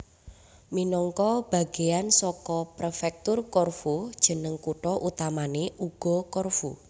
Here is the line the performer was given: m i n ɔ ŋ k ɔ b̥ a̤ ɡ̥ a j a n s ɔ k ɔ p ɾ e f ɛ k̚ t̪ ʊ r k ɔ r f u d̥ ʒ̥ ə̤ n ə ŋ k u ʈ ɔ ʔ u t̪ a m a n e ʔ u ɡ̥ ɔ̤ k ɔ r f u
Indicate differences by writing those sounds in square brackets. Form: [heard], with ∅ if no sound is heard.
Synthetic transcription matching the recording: m i n ɔ ŋ k ɔ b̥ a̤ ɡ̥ [e] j a n s ɔ k ɔ p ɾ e f ɛ k̚ t̪ ʊ r k ɔ r f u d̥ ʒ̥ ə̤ n ə ŋ k u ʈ ɔ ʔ u t̪ a m a n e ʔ u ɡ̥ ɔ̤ k ɔ r f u